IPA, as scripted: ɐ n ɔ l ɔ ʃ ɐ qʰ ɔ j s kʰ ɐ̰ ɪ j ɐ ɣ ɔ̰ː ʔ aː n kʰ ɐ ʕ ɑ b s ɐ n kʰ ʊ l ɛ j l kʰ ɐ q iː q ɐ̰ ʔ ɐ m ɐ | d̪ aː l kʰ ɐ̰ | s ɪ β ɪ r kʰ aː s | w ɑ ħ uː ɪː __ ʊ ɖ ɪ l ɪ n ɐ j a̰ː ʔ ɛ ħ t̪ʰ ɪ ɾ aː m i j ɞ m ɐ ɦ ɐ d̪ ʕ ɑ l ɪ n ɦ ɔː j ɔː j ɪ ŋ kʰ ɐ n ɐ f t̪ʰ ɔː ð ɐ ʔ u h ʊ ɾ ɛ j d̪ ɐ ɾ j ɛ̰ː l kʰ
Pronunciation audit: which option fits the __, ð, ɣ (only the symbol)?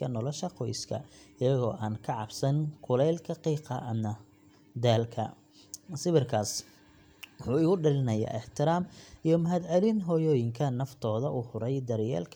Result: ɣ